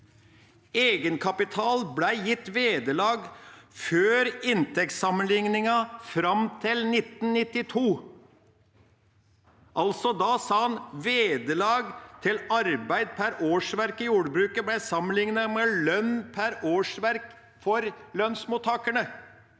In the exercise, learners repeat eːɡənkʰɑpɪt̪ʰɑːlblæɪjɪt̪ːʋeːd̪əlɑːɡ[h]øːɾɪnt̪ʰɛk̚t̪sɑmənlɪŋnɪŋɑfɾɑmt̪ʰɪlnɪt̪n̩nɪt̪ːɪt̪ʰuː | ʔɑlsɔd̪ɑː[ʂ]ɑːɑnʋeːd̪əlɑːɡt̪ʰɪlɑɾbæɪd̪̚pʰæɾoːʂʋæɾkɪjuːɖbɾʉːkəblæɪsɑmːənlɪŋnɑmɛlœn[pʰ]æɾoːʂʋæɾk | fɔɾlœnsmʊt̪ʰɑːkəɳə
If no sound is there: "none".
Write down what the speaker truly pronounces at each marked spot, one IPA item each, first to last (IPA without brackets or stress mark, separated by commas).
f, s, pʰ